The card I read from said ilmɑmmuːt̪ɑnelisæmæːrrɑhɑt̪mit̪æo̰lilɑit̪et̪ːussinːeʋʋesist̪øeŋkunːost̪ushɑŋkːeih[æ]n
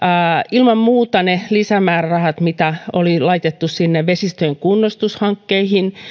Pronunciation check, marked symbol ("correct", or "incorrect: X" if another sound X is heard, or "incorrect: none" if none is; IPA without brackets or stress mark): incorrect: i